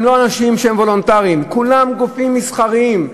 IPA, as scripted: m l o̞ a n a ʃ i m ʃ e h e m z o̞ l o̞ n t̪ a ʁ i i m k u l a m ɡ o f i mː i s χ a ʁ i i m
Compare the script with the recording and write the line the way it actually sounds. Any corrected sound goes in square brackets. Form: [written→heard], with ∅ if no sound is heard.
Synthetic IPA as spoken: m l o̞ a n a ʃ i m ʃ e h e m [z→v] o̞ l o̞ n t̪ a ʁ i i m k u l a m ɡ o f i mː i s χ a ʁ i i m